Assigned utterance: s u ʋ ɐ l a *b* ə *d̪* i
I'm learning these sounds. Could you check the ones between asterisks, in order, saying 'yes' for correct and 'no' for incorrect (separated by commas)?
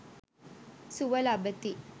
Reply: yes, no